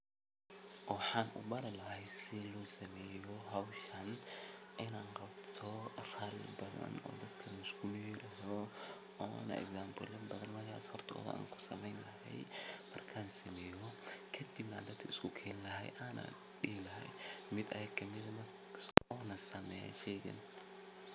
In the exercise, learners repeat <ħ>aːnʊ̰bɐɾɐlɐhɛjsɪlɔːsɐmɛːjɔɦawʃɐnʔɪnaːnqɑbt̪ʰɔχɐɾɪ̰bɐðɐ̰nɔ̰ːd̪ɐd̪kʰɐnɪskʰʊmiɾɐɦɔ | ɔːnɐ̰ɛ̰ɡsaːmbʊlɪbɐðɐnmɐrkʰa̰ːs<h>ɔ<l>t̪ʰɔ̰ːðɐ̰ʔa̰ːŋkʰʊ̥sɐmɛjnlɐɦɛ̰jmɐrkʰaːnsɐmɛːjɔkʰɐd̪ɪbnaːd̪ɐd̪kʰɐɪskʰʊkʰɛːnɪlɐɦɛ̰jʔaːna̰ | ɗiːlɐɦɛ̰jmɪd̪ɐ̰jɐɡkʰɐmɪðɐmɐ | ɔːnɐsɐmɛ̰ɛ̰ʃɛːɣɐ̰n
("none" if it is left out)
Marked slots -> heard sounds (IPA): ħ, h, r

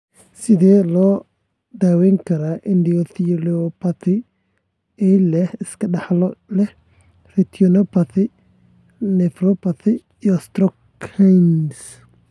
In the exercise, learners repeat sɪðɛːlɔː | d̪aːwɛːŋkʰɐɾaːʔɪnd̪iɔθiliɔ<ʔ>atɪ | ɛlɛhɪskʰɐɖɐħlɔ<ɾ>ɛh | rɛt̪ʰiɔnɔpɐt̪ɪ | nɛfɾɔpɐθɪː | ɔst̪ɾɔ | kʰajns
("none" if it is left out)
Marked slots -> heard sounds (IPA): p, l

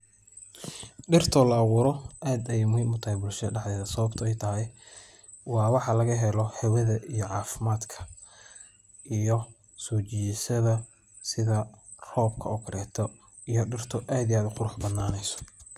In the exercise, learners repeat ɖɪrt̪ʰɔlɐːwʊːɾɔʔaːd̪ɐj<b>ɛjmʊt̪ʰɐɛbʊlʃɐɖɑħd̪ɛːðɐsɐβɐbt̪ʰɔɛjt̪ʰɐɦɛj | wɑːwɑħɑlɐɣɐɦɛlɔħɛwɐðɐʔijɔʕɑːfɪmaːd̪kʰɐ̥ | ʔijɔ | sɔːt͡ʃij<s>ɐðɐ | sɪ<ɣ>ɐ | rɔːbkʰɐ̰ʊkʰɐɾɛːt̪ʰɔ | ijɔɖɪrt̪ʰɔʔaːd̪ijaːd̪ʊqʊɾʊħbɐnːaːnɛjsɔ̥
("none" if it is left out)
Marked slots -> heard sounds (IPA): m, s, ð

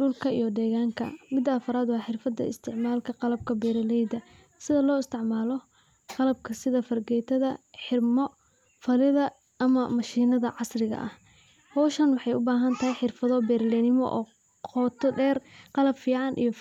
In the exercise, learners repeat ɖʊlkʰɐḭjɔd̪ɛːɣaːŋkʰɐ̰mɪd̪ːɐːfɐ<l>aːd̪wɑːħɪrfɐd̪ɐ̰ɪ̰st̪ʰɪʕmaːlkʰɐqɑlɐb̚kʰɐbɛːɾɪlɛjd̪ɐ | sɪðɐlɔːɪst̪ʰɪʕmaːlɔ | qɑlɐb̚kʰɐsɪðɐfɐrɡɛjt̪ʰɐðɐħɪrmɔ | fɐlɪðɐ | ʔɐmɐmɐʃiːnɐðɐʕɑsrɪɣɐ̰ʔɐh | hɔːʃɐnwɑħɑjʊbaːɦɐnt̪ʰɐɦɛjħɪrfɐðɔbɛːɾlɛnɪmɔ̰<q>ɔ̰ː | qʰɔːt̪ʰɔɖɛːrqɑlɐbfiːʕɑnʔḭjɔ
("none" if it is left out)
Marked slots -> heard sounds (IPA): ɾ, ʔ

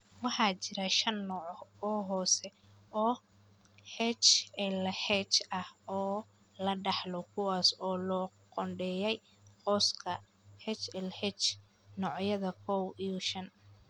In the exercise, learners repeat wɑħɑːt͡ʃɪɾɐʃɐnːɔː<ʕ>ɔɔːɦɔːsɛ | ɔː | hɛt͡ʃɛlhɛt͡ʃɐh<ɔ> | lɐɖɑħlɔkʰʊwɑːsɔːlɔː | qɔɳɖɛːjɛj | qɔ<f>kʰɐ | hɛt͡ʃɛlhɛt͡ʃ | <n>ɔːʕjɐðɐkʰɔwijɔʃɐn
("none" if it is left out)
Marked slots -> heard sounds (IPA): ʕ, ɔː, s, n

